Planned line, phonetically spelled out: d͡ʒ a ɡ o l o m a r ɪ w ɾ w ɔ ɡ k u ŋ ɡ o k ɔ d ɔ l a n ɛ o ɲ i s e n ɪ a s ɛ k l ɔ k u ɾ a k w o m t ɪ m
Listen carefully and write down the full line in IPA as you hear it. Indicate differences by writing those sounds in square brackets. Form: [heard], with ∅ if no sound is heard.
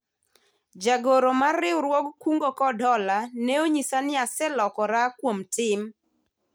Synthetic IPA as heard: d͡ʒ a ɡ o [ɾ] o m a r ɪ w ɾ w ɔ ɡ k u ŋ ɡ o k ɔ d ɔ l a n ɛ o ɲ i s [a] n ɪ a s ɛ [∅] l ɔ k [ɔ] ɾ a k w o m t ɪ m